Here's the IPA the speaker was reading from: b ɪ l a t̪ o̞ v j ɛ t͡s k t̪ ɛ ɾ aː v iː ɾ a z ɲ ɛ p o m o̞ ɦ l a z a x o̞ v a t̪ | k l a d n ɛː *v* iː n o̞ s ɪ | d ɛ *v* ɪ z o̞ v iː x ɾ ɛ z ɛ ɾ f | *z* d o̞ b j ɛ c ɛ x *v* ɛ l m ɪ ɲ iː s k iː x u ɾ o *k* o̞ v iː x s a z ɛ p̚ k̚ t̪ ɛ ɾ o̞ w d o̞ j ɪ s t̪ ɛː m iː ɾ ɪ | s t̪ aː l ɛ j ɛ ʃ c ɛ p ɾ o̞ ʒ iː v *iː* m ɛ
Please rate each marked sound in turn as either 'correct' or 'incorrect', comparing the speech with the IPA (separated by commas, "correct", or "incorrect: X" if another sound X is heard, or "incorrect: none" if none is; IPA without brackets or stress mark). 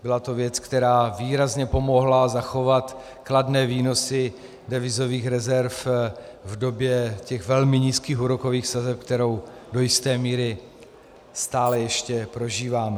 correct, correct, incorrect: v, correct, correct, incorrect: aː